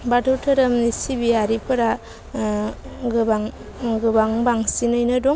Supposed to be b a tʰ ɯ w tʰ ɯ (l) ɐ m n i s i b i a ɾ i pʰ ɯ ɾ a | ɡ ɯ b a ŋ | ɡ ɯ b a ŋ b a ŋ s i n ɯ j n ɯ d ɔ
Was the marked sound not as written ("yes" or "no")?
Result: yes